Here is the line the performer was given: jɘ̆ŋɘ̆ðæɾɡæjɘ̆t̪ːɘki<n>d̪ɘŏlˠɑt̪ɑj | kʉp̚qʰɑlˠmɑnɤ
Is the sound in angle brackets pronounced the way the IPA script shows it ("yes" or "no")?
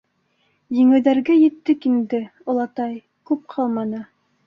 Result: yes